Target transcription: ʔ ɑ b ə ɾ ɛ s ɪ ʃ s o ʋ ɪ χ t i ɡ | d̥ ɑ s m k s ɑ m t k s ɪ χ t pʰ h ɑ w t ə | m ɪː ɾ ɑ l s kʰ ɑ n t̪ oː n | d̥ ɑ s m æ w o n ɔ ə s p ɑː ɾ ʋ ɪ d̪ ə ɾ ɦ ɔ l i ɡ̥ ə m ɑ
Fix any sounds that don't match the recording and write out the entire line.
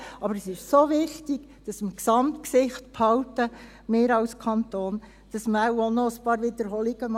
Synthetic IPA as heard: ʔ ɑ b ə ɾ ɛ s ɪ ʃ s o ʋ ɪ χ t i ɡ | d̥ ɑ s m k s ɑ m t k s ɪ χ t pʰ h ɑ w t ə | m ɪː ɾ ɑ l s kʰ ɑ n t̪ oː n | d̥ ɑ s m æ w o n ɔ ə s p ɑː ɾ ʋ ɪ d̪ ə ɾ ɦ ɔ l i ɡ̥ ə m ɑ